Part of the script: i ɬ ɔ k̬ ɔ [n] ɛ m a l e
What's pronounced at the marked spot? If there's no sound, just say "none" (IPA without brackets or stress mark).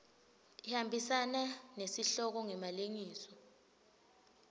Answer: ŋ